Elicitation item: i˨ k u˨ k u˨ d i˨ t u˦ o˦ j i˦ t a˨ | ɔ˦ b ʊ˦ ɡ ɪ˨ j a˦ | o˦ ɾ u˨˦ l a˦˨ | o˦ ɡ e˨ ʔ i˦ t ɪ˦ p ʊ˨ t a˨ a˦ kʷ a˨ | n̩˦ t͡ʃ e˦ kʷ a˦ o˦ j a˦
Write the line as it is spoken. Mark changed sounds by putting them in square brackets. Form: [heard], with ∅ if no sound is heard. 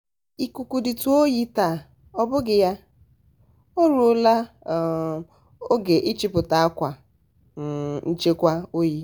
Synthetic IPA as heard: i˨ k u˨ k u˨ d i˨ t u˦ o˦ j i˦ t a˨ | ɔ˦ b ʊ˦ ɡ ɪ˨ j a˦ | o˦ ɾ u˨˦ l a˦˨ | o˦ ɡ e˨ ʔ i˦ [t͡ʃ] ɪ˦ p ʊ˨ t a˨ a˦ kʷ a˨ | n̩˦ t͡ʃ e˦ kʷ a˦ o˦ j [i˦]